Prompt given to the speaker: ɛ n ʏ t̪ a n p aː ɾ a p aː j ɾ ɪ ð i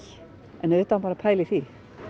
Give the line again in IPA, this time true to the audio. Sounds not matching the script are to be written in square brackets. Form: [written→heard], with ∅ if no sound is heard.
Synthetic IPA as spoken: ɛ n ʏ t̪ a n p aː ɾ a [p→pʰ] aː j [ɾ→l] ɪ [ð→θ] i